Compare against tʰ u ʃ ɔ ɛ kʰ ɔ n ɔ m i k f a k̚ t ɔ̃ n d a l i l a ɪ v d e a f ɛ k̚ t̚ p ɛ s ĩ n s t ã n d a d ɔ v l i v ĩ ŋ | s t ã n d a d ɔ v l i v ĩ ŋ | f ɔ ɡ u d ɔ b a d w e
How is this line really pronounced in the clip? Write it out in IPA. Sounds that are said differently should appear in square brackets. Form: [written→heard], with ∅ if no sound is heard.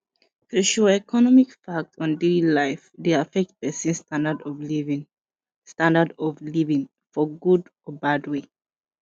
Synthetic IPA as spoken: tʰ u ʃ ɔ ɛ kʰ ɔ n ɔ m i k f a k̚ t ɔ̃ n d [a→e] l i l a ɪ [v→f] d e a f ɛ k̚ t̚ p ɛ s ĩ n s t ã n d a d ɔ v l i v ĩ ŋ | s t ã n d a d ɔ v l i v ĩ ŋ | f ɔ ɡ u d ɔ b a d w e